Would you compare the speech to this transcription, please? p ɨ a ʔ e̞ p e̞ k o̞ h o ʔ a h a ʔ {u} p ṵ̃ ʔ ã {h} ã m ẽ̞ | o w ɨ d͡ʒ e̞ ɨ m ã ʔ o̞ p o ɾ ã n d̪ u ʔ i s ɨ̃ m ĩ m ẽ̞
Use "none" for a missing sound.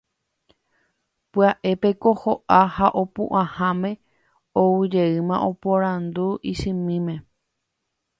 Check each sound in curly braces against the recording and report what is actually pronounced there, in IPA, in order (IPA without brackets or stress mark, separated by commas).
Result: o, h